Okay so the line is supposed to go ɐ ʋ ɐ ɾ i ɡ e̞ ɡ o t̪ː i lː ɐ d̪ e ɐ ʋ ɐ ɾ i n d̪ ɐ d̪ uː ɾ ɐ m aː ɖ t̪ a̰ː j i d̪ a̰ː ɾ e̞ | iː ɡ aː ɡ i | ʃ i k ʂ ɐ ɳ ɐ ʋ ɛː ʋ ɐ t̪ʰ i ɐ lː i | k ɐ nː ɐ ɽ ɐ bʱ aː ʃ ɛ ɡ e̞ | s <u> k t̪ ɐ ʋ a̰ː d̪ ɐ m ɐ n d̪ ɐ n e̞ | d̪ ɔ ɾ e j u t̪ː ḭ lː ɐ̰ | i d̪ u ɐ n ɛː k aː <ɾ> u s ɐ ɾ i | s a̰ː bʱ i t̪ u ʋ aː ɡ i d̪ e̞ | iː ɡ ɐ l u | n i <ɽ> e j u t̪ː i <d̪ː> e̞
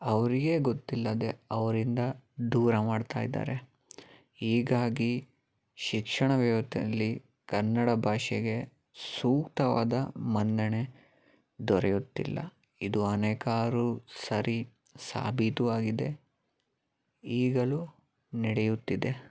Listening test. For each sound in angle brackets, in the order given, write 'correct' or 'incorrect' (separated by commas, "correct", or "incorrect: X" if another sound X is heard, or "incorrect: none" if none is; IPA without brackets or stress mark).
incorrect: uː, correct, correct, incorrect: d̪